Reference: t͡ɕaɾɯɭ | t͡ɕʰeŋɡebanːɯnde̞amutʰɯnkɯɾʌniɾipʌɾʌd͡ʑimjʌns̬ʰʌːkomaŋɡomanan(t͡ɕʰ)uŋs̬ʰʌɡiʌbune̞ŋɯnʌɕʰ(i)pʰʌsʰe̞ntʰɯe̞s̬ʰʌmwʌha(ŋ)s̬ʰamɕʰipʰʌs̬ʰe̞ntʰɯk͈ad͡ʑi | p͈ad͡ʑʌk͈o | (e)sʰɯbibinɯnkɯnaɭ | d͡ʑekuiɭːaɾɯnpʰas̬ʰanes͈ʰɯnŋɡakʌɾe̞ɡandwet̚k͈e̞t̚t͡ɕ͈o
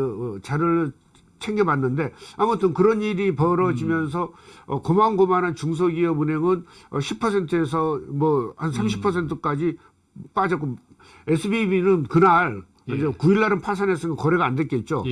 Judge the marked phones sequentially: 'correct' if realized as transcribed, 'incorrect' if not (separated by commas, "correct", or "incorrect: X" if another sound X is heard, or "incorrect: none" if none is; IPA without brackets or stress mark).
incorrect: t͡ɕ, correct, incorrect: n, correct